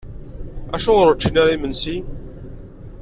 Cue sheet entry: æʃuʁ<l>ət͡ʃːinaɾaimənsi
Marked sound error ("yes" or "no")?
yes